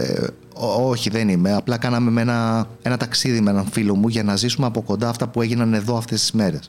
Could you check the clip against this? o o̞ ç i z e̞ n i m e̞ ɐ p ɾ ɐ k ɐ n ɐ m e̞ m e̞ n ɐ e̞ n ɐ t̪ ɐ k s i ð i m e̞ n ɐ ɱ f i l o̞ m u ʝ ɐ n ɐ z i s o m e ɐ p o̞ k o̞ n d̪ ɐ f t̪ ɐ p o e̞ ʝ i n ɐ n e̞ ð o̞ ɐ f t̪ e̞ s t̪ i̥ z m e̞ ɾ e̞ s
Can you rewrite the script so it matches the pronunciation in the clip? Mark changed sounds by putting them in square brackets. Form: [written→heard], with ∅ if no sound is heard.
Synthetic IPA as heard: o o̞ ç i [z→ð] e̞ n i m e̞ ɐ p [ɾ→l] ɐ k ɐ n ɐ m e̞ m e̞ n ɐ e̞ n ɐ t̪ ɐ k s i ð i m e̞ n ɐ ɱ f i l o̞ m u ʝ ɐ n ɐ z i s [o→u] m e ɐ p o̞ k o̞ n d̪ ɐ f t̪ ɐ p [o→u] e̞ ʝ i n ɐ n e̞ ð o̞ ɐ f t̪ e̞ s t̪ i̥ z m e̞ ɾ e̞ s